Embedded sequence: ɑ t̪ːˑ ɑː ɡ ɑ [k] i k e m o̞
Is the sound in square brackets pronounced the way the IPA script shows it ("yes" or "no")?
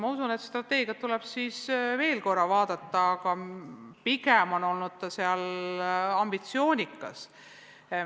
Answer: no